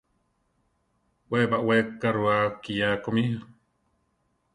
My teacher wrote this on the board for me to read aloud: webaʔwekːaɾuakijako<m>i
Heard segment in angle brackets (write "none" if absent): m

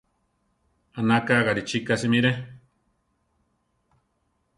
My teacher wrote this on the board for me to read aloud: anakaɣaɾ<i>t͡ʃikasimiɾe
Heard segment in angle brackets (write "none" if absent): i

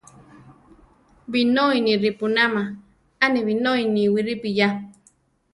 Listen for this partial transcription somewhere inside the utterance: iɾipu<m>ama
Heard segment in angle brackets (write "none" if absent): n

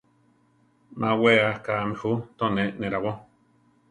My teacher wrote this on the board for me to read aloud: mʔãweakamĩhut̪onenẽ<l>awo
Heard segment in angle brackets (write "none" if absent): ɾ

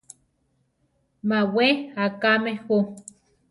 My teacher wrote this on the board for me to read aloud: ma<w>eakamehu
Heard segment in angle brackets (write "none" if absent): w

